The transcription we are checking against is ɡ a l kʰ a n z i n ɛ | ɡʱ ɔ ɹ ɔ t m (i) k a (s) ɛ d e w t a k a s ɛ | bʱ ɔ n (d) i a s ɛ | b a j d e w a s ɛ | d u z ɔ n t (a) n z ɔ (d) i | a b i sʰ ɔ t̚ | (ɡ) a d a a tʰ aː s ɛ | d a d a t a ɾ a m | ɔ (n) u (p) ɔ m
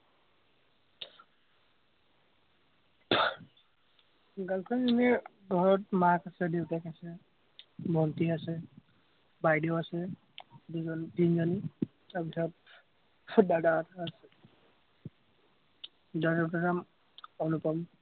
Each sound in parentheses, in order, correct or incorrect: incorrect, correct, incorrect, incorrect, incorrect, incorrect, correct, correct

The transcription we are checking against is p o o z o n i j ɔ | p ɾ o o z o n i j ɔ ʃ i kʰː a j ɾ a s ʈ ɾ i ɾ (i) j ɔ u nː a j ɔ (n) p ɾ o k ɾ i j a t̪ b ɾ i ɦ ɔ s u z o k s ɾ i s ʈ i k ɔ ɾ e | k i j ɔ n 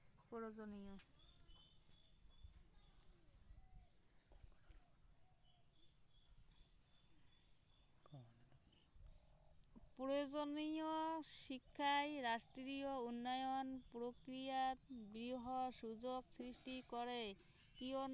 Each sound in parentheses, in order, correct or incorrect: correct, correct

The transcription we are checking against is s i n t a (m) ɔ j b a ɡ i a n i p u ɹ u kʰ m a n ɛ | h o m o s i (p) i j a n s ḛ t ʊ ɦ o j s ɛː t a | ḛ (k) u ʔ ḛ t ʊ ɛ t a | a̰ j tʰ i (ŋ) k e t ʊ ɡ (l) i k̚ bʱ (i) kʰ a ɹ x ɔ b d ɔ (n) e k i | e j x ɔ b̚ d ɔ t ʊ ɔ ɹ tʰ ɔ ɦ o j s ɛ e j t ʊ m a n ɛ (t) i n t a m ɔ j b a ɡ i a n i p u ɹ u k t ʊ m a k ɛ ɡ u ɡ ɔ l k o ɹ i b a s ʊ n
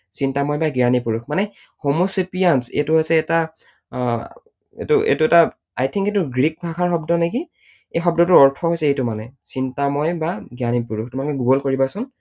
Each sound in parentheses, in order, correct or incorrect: correct, correct, incorrect, correct, incorrect, incorrect, correct, incorrect

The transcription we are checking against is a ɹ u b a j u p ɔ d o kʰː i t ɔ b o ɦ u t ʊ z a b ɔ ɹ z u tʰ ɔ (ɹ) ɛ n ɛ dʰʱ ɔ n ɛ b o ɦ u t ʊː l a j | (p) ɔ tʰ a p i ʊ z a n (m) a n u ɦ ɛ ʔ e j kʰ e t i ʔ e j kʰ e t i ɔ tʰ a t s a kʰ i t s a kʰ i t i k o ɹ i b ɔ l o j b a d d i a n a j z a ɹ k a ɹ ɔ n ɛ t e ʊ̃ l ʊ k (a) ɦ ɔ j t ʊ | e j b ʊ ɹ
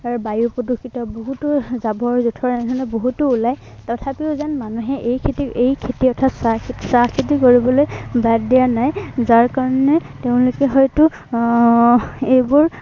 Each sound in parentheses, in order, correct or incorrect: correct, incorrect, correct, incorrect

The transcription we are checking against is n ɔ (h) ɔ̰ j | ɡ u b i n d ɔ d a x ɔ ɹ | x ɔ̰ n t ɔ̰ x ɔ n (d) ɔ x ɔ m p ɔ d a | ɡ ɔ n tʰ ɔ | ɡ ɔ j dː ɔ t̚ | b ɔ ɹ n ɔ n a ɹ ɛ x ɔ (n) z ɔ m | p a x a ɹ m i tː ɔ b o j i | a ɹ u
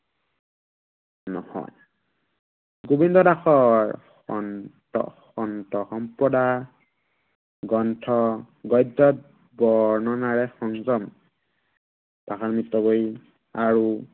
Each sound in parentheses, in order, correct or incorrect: correct, incorrect, incorrect

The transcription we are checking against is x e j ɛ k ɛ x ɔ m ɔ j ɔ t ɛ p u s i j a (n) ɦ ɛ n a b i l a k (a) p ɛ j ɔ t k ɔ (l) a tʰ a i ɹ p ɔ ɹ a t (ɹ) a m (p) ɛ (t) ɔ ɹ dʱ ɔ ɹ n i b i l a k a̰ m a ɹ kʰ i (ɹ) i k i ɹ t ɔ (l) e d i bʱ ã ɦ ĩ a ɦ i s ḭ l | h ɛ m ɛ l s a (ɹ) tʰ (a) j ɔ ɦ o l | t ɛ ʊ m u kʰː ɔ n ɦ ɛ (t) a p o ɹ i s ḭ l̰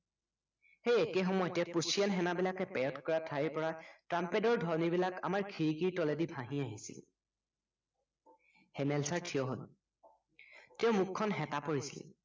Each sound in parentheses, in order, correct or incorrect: correct, incorrect, incorrect, correct, correct, incorrect, correct, correct, correct, incorrect, correct

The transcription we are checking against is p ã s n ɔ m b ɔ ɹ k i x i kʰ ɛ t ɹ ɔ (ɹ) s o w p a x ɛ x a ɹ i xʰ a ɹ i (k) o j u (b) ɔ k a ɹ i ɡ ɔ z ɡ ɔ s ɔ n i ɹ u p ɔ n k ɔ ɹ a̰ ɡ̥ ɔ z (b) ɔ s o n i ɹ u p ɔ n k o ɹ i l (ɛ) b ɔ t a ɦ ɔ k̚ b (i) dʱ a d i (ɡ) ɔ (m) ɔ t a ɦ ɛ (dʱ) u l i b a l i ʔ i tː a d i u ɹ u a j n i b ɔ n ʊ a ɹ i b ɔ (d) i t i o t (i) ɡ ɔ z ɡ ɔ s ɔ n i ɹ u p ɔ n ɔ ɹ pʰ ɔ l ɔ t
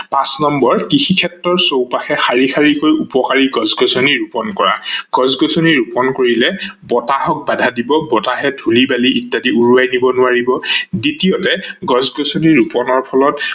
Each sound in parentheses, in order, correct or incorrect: correct, correct, incorrect, incorrect, correct, incorrect, incorrect, incorrect, correct, correct, incorrect

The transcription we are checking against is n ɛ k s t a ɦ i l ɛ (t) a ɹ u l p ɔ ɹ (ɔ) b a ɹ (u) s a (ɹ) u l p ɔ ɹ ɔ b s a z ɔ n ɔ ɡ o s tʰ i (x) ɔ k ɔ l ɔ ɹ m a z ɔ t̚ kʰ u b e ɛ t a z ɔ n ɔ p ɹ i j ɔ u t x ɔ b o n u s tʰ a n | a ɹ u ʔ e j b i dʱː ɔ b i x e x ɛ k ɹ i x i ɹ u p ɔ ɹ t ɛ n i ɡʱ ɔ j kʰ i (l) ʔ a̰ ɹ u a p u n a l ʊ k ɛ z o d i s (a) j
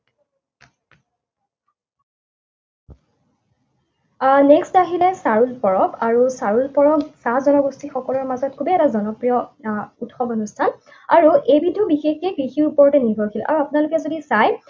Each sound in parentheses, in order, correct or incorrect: incorrect, correct, correct, correct, correct, correct, correct

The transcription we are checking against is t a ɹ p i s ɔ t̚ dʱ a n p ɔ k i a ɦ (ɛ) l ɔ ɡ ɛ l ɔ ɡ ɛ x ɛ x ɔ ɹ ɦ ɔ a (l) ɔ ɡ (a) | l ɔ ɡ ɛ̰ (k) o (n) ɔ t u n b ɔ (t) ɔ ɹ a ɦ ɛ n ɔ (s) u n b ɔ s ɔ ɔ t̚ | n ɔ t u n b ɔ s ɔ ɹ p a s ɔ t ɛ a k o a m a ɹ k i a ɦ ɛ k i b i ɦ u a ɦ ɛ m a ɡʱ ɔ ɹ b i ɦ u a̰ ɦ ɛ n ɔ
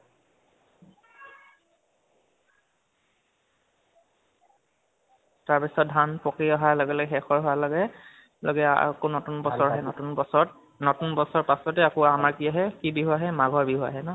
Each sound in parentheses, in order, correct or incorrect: incorrect, correct, incorrect, correct, correct, incorrect, incorrect

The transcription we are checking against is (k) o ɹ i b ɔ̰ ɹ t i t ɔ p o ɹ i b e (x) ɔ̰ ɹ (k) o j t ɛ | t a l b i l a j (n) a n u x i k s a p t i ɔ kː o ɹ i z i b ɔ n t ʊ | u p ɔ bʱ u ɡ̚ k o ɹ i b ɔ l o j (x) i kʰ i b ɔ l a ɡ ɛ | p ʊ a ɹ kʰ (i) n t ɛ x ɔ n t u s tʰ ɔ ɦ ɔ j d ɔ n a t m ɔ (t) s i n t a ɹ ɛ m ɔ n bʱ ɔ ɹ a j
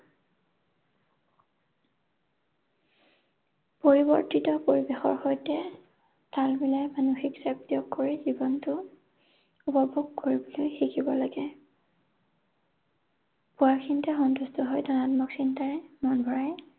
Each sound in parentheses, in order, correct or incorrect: incorrect, correct, incorrect, incorrect, correct, correct, incorrect

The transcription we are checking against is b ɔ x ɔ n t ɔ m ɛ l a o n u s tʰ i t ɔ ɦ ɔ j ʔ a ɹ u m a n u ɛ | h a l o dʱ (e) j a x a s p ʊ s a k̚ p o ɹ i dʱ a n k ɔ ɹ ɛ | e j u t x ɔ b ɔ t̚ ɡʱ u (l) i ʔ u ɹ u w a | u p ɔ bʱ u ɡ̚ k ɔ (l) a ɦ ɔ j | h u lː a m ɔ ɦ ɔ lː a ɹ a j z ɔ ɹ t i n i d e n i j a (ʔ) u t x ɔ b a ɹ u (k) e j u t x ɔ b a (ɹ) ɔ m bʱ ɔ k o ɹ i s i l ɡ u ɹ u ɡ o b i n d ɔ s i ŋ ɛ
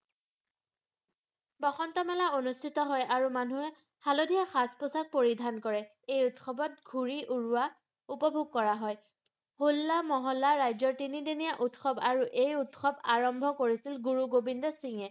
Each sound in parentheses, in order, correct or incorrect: incorrect, incorrect, incorrect, correct, incorrect, correct

